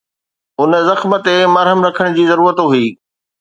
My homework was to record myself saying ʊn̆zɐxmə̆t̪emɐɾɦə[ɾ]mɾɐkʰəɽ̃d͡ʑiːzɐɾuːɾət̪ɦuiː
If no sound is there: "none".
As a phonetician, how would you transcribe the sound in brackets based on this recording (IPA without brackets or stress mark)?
none